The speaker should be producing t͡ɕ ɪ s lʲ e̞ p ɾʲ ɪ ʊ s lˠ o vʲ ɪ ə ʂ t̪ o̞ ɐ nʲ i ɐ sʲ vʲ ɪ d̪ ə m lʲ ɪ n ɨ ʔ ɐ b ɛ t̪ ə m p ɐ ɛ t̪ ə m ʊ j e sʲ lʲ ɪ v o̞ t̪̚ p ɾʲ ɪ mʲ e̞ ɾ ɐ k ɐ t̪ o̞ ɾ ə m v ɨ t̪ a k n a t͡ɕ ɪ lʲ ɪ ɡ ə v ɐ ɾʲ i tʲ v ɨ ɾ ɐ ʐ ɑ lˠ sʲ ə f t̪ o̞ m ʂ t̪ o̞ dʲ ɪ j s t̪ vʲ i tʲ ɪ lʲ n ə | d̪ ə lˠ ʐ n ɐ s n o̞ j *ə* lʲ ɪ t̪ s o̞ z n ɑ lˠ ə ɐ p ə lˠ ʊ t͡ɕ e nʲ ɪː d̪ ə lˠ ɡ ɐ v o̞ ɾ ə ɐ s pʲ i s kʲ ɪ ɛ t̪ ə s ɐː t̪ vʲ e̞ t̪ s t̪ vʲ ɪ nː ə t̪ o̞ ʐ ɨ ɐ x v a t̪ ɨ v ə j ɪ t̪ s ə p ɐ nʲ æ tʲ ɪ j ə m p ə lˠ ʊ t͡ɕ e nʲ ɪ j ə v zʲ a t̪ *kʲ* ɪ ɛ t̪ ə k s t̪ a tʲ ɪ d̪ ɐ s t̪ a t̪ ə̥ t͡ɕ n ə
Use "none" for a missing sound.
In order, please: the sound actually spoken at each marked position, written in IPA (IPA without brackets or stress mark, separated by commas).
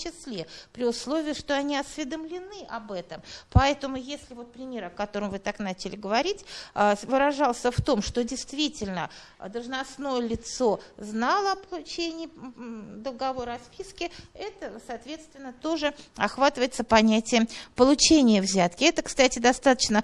ə, kʲ